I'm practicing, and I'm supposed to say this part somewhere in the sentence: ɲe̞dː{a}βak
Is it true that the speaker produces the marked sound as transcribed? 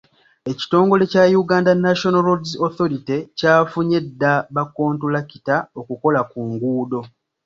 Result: yes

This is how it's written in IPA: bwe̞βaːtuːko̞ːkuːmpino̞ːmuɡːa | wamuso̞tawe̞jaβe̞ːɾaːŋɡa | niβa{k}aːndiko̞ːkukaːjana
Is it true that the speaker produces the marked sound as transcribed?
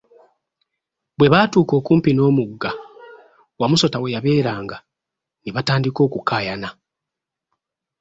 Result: no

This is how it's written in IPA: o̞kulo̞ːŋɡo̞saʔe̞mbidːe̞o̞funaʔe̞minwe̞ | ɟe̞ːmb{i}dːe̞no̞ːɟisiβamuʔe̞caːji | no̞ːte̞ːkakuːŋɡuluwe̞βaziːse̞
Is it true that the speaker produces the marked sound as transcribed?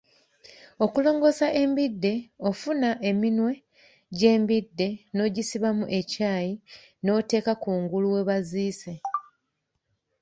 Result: yes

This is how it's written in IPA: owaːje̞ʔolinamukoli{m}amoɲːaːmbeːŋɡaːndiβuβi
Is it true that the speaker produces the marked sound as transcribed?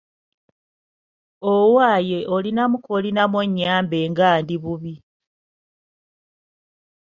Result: no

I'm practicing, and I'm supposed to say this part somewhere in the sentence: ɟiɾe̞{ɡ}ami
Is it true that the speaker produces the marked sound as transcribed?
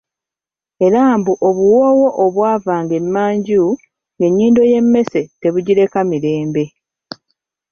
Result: no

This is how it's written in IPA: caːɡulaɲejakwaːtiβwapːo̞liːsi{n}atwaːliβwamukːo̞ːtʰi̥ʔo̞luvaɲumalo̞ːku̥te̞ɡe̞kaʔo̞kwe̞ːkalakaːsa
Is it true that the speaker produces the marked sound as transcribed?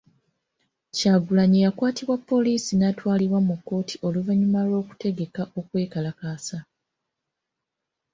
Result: yes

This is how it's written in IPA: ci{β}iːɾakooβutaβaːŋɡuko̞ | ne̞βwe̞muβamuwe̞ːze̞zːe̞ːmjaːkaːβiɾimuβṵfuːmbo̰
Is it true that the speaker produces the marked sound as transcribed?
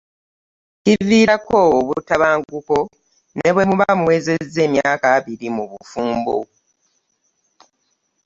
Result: no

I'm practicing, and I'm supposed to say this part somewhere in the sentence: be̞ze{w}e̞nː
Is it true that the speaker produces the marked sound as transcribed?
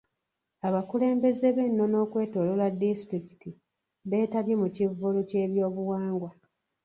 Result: no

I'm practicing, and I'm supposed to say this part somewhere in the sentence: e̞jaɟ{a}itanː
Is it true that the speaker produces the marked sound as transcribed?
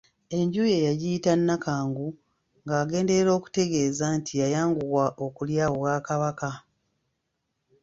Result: no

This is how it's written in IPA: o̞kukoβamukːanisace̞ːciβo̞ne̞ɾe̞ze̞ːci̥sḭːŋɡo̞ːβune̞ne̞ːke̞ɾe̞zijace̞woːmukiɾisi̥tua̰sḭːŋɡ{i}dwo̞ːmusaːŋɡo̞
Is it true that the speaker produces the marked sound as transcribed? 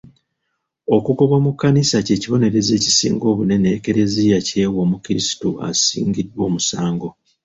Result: yes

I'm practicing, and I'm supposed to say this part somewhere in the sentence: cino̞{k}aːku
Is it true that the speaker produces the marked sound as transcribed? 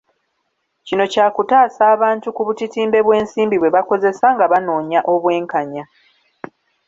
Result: no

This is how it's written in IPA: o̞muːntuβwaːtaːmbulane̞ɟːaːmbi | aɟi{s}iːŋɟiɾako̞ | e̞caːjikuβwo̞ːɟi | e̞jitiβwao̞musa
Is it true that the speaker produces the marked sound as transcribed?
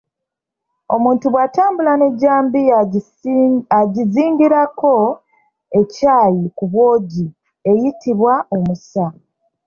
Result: no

